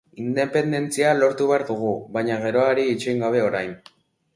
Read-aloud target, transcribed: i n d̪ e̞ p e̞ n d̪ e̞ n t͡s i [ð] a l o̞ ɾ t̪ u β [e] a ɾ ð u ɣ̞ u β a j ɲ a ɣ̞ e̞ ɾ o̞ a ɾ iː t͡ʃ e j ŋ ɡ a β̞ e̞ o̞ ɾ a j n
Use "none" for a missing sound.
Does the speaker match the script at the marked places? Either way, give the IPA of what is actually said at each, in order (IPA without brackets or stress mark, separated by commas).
none, e